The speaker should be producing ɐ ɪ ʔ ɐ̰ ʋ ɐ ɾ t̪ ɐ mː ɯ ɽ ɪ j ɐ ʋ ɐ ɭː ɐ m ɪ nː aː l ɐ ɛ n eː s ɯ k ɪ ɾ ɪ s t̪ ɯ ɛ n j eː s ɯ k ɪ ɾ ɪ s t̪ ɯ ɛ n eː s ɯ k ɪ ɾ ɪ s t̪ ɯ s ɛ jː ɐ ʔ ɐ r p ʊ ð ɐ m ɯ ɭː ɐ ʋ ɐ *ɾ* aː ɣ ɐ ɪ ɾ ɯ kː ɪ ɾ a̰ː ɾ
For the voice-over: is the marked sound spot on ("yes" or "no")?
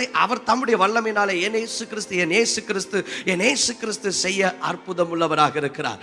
yes